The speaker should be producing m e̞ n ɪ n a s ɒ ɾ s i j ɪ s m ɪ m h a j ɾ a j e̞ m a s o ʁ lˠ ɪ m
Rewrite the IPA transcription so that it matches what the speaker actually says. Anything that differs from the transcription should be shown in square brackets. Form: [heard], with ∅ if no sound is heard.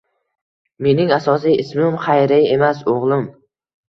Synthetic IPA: m e̞ n ɪ [ŋ] a s ɒ [∅] s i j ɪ s m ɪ m [χ] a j ɾ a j e̞ m a s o ʁ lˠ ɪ m